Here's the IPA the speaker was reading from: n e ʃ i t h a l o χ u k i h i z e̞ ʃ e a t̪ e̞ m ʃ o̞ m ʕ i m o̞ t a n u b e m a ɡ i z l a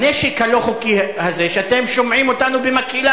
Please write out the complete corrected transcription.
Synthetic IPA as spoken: n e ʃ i k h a l o χ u k i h a z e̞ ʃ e a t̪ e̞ m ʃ o̞ m ʕ i m o̞ t a n u b e m a k i l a

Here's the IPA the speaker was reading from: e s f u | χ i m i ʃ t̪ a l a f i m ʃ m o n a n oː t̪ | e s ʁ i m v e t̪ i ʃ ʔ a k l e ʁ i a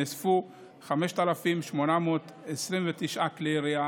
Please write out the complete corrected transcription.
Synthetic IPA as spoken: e s f u | χ a m e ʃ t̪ a l a f i m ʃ m o n a m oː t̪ | e s ʁ i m v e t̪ i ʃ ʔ a k l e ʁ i a

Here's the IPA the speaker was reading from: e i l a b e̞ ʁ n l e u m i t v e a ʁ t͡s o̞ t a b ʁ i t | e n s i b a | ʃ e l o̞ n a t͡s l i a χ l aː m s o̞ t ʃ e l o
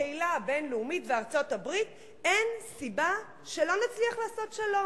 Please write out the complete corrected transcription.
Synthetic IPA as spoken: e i l a b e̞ n l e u m i t v e a ʁ t͡s o̞ t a b ʁ i t | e n s i b a | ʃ e l o̞ n a t͡s l i a χ l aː s o̞ t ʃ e l o

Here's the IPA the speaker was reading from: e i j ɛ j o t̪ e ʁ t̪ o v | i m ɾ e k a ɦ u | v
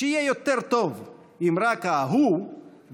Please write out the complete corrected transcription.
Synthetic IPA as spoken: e i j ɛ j o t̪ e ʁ t̪ o v | i m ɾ a k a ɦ u | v

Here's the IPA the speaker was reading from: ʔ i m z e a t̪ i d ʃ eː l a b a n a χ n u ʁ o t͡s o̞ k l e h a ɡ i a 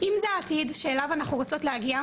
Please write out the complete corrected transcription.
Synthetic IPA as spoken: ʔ i m z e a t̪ i d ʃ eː l a v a n a χ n u ʁ o t͡s o̞ t l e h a ɡ i a

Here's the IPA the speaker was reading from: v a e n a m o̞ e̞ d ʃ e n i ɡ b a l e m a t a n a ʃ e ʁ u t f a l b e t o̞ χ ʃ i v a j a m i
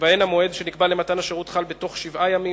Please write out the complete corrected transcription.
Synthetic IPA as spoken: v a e n a m o̞ e̞ d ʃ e n i k b a l e m a t a n a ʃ e ʁ u t χ a l b e t o̞ χ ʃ i v a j a m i

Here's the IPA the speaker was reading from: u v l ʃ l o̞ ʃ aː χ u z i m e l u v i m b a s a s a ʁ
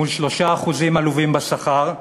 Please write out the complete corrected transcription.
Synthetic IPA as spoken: u l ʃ l o̞ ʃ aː χ u z i m a l u v i m b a s a χ a ʁ

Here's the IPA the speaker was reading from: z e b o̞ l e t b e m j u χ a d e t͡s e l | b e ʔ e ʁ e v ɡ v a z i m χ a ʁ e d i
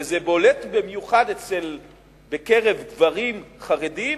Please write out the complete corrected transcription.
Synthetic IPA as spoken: z e b o̞ l e t b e m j u χ a d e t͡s e l | b e k e ʁ e v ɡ v a ʁ i m χ a ʁ e d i

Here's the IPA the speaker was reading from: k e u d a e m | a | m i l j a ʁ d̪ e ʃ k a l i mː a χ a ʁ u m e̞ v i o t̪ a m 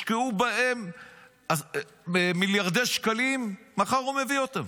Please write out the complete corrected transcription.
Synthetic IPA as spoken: k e u b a e m | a | m i l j a ʁ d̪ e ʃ k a l i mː a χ a ʁ u m e̞ v i o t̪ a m

